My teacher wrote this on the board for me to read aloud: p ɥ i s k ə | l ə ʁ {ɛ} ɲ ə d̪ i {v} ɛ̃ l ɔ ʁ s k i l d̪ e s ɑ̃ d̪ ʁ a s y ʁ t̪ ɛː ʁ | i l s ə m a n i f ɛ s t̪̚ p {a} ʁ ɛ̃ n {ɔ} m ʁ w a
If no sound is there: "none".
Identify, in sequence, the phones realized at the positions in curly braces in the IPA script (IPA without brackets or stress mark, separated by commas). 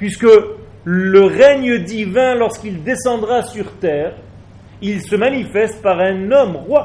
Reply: ɛ, v, a, ɔ